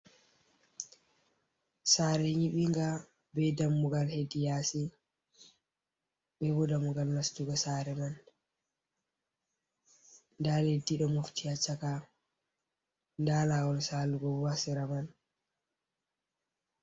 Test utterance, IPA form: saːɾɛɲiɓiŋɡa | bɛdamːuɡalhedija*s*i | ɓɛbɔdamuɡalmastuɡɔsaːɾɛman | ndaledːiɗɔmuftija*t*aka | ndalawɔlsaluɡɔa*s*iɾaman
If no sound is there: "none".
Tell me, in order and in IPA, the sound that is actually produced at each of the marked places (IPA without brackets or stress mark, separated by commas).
s, t͡ʃ, s